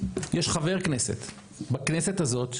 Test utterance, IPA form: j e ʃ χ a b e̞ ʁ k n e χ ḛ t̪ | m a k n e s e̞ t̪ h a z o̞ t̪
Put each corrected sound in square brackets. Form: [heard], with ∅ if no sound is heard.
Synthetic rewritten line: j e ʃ χ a [v] e̞ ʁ k n e [s] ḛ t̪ | [b] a k n e s e̞ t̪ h a z o̞ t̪